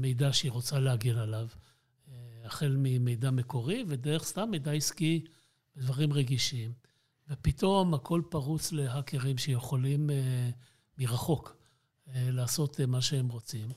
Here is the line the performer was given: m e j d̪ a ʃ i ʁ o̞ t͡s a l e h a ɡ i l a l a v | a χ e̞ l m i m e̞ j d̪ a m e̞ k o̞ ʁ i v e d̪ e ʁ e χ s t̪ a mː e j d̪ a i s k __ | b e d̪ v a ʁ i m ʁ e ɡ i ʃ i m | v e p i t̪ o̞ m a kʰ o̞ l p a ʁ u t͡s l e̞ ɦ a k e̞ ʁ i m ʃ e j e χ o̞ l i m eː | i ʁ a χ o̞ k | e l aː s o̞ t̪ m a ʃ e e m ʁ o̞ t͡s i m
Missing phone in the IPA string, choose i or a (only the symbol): i